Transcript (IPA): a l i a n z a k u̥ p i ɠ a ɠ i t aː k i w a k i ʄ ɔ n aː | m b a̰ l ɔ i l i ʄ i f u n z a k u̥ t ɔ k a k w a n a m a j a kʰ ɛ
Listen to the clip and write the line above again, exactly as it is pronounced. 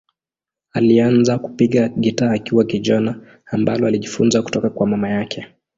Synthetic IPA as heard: a l i a n z a k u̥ p i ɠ a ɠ i t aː k i w a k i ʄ ɔ n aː | m b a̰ l ɔ a l i ʄ i f u n z a k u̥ t ɔ k a k w a m a m a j a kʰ ɛ